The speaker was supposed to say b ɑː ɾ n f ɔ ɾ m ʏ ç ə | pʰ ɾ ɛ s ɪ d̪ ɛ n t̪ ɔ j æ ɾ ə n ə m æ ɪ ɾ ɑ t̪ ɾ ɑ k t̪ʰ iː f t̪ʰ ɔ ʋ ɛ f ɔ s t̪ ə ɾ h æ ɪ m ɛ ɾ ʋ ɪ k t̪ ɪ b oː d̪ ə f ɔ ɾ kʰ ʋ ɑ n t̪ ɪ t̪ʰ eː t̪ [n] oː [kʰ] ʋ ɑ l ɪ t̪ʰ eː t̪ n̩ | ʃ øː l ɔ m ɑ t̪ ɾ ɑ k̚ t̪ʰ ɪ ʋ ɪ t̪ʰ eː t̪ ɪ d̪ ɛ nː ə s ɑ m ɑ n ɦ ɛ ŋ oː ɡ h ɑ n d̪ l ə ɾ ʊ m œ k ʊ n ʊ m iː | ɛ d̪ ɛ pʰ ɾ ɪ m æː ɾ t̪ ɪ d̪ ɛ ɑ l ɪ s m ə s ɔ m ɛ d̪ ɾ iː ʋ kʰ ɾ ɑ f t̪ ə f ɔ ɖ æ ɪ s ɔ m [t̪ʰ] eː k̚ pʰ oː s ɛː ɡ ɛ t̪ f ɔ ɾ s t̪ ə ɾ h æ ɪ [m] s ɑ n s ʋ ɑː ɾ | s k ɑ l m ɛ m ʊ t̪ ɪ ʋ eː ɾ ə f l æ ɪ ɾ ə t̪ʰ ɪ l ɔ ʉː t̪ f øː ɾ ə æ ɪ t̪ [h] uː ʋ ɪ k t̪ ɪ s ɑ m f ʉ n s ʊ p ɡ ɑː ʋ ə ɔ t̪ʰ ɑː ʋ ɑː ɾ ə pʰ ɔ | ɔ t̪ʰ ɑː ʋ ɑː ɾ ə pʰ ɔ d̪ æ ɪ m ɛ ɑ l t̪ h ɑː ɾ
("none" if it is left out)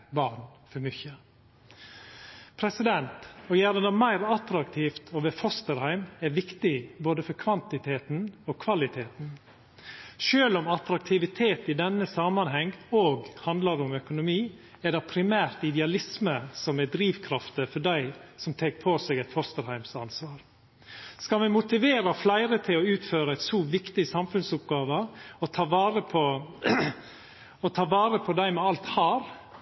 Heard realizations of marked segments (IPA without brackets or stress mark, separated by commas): n, kʰ, t̪ʰ, m, s